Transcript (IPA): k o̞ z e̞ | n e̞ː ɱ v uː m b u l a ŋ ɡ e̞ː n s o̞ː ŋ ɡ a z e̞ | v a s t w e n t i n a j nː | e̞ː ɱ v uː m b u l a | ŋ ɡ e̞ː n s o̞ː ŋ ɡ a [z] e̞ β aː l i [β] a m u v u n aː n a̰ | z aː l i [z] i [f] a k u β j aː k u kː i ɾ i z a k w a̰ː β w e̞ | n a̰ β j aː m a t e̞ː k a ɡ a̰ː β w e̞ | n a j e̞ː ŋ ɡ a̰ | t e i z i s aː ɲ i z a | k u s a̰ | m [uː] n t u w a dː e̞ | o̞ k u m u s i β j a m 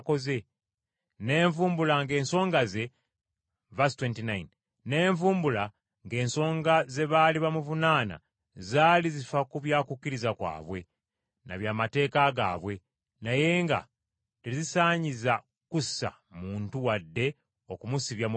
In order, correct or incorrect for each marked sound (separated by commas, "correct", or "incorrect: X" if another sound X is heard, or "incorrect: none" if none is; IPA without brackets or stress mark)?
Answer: correct, correct, correct, correct, correct